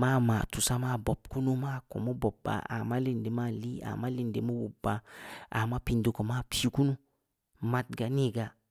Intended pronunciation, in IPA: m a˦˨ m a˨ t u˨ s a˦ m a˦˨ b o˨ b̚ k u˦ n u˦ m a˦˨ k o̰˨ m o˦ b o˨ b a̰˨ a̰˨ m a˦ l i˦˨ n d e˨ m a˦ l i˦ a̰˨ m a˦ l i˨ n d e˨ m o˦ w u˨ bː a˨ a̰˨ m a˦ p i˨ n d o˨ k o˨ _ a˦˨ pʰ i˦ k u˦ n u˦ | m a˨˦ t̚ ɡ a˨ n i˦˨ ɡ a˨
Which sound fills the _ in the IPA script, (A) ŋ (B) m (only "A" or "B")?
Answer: B